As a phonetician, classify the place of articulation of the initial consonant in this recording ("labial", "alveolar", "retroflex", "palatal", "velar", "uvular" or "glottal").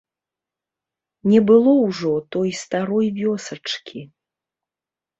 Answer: alveolar